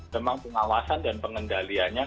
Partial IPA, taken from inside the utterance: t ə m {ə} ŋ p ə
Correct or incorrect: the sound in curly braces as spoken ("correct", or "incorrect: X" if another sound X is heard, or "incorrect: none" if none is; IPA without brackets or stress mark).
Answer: incorrect: a